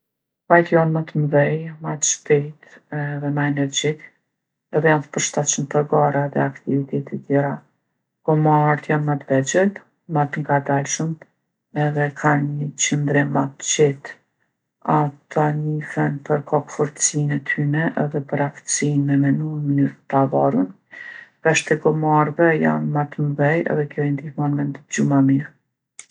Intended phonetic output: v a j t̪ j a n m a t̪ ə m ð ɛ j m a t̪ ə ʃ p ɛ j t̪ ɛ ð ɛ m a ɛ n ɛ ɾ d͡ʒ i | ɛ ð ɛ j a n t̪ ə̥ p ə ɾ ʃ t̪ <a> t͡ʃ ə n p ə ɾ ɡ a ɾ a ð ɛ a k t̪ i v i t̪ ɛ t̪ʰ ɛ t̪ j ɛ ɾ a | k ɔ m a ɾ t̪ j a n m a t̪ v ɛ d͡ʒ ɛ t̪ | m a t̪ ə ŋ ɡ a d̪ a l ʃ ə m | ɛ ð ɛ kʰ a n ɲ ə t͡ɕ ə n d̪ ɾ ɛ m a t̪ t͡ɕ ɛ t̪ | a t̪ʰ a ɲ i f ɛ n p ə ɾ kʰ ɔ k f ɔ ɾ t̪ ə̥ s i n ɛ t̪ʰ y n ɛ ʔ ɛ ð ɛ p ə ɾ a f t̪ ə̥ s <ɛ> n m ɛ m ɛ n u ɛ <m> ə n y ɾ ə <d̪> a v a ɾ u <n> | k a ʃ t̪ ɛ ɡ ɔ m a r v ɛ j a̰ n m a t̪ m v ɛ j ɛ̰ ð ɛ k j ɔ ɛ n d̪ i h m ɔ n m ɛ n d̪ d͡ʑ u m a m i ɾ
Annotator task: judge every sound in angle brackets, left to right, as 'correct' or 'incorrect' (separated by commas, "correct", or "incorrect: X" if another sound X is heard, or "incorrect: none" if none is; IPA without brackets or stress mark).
correct, incorrect: i, correct, incorrect: t̪, correct